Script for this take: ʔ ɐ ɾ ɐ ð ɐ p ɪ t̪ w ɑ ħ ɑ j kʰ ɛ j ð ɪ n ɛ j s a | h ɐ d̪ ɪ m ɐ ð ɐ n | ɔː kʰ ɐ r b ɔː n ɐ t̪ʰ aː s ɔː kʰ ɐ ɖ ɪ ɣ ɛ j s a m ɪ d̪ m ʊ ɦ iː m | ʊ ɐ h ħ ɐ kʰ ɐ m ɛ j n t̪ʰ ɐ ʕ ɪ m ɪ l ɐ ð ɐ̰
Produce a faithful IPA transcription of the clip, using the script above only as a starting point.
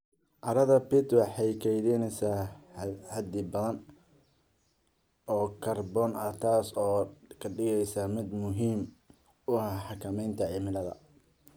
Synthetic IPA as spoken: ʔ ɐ ɾ ɐ ð ɐ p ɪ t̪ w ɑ ħ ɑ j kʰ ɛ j ð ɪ n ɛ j s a | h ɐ d̪ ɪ b ɐ ð ɐ n | ɔː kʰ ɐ r b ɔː n ɐ t̪ʰ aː s ɔː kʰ ɐ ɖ ɪ ɣ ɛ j s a m ɪ d̪ m ʊ ɦ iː m | ʊ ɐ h ħ ɑ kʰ ɐ m ɛ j n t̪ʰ ɐ ʕ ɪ m ɪ l ɐ ð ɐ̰